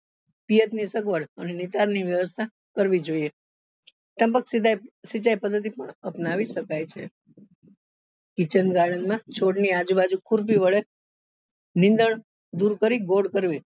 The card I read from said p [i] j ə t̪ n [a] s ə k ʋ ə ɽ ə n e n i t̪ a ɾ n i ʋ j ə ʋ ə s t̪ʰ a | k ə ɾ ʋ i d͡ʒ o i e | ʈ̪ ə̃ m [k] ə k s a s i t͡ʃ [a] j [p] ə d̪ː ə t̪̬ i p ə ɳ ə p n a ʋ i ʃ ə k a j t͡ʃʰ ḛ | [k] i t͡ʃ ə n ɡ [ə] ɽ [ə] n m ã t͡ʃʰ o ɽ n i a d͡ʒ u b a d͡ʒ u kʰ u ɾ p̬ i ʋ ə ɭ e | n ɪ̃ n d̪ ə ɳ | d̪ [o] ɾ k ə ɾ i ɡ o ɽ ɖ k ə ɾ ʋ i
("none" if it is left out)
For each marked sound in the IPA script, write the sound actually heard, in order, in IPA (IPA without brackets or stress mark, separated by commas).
i, i, p, a, p, k, a, ə, u